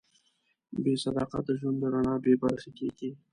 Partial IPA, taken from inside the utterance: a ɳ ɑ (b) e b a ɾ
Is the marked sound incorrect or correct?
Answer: correct